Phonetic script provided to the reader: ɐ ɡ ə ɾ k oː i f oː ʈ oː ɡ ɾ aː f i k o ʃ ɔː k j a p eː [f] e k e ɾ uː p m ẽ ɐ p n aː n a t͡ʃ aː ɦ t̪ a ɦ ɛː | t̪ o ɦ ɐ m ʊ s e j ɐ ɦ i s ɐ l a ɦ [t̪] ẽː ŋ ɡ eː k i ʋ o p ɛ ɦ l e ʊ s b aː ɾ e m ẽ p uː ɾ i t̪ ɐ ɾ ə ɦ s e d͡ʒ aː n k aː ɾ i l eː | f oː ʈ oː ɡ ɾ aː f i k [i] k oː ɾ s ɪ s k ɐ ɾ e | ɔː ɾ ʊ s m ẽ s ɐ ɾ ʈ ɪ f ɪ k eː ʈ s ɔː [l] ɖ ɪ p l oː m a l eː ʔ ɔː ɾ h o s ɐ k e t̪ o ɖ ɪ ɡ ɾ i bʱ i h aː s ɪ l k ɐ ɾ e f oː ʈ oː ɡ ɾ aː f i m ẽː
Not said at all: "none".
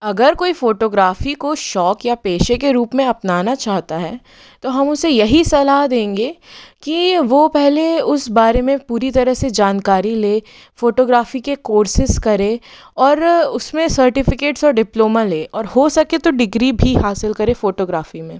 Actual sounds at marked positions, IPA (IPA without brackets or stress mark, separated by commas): ʃ, d̪, e, ɾ